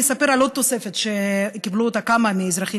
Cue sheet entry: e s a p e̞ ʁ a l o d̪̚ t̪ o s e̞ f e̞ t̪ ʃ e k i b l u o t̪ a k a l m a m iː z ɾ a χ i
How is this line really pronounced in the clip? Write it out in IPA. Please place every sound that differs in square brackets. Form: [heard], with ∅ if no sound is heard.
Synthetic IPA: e s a p e̞ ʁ a l o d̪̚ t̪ o s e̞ f e̞ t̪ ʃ e k i b l u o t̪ a k a [∅] m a m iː z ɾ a χ i